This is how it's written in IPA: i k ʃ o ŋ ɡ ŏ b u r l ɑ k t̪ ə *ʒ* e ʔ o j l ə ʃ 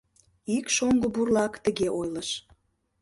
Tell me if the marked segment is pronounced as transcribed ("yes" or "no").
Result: no